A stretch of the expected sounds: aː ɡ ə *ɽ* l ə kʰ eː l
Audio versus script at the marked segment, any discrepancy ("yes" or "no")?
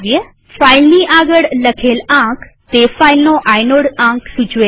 no